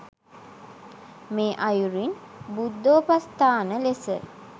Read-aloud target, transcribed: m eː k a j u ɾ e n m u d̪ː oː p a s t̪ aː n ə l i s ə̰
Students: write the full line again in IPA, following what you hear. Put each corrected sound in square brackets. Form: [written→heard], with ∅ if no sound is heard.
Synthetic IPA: m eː [k→ʔ] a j u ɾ [e→i] n [m→b] u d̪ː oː p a s t̪ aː n ə l [i→e] s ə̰